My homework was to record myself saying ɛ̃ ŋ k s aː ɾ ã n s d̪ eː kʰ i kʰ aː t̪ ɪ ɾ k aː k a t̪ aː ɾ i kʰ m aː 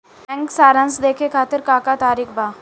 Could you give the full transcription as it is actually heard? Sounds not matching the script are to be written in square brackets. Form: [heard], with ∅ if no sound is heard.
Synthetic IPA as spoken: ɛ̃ ŋ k s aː ɾ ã n s d̪ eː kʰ [e] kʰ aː t̪ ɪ ɾ k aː k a t̪ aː ɾ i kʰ [b] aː

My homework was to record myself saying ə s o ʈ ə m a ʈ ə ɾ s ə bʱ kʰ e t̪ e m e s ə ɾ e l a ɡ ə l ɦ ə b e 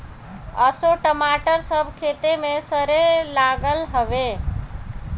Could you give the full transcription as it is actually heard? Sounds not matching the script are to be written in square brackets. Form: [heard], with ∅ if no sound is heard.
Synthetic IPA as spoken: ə s o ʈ ə m a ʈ ə ɾ s ə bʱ kʰ e t̪ e m e s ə ɾ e l a ɡ ə l ɦ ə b e

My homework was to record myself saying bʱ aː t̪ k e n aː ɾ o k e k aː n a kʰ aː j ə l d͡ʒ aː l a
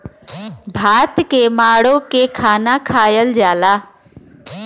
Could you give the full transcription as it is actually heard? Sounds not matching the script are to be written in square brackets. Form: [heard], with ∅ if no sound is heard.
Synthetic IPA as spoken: bʱ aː t̪ k e [m] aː [ɽ] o k e [kʰ] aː n a kʰ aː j ə l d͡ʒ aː l a

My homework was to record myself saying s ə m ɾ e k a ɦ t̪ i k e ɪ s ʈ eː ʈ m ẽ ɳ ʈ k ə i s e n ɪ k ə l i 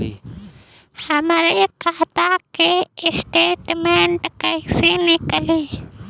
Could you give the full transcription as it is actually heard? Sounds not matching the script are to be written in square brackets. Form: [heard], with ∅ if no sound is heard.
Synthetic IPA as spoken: [h] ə m ɾ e k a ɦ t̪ [a] k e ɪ s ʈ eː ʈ m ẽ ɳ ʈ k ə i s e n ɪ k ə l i

